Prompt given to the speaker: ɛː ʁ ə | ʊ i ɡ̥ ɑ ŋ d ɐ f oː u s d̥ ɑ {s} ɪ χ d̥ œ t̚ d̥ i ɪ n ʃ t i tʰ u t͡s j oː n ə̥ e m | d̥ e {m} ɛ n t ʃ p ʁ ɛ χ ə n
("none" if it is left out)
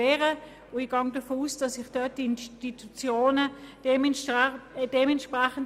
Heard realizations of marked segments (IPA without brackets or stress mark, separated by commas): s, m